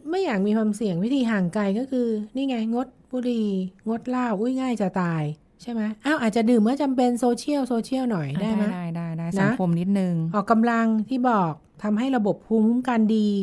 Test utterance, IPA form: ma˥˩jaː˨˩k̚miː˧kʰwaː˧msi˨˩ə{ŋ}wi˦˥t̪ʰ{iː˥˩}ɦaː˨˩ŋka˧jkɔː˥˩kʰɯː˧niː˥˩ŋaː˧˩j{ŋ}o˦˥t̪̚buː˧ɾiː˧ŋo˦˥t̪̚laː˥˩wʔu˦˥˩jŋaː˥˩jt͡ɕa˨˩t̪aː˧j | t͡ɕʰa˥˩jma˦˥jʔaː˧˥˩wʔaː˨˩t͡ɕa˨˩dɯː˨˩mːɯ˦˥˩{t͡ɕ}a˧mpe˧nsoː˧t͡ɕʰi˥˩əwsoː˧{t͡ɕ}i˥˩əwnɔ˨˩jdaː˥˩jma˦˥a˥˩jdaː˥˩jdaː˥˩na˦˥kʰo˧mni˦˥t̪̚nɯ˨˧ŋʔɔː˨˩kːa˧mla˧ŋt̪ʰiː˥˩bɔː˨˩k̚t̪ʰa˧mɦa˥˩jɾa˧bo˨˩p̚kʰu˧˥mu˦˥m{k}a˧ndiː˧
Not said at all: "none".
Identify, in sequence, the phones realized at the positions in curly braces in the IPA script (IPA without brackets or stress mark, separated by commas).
ŋ, iː˧, ŋ, t͡ɕ, t͡ɕʰ, k